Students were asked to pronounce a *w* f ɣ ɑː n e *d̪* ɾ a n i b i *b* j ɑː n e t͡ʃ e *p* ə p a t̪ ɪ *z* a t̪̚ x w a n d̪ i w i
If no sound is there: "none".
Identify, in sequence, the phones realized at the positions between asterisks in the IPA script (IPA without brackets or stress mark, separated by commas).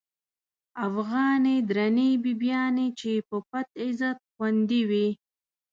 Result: none, d̪, b, p, z